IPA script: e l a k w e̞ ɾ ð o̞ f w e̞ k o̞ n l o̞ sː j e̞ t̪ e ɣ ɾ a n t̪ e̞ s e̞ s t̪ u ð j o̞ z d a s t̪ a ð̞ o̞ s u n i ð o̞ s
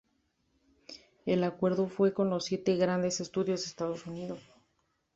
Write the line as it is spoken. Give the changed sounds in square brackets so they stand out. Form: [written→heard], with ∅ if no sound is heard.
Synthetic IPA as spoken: e l a k w e̞ ɾ ð o̞ f w e̞ k o̞ n l o̞ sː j e̞ t̪ e ɣ ɾ a n [t̪→d̪] e̞ s e̞ s t̪ u ð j o̞ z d [a→e] s t̪ a ð̞ o̞ s u n i ð o̞ s